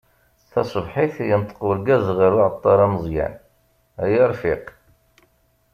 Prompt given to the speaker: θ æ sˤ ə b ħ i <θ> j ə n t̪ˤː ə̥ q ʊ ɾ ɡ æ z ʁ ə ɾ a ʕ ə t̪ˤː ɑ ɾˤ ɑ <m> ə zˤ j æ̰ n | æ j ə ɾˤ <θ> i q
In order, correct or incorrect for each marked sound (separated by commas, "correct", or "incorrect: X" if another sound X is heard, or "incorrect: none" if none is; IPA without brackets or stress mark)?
correct, correct, incorrect: f